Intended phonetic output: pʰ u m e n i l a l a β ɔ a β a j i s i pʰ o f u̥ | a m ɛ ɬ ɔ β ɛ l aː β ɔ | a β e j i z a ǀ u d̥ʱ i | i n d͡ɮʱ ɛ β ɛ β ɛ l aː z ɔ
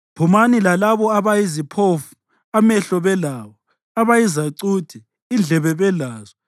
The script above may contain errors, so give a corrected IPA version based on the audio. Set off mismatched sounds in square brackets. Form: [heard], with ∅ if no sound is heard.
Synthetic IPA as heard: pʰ u m [a] n i l a l a β ɔ a β a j i [z] i pʰ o f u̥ | a m ɛ ɬ ɔ β ɛ l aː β ɔ | a β [a] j i z a ǀ u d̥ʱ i | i n d͡ɮʱ ɛ β ɛ β ɛ l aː z ɔ